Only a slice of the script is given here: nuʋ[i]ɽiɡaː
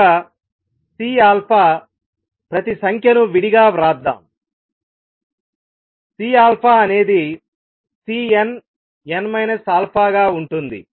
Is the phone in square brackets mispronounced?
no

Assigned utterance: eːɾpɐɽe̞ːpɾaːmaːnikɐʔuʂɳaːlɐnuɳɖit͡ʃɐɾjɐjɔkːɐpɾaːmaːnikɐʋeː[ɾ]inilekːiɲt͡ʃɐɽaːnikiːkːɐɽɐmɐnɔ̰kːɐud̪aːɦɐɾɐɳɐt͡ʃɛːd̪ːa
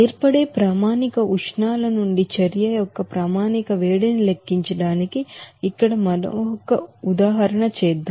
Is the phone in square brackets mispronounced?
yes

